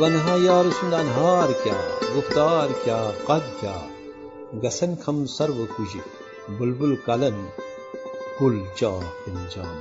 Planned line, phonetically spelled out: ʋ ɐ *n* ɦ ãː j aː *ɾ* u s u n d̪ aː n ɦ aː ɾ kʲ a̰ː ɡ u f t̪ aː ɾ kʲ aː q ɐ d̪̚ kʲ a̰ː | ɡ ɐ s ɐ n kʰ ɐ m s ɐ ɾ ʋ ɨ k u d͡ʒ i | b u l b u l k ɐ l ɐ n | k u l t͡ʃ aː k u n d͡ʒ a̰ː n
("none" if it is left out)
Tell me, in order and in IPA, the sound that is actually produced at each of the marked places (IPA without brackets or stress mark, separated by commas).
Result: n, ɾ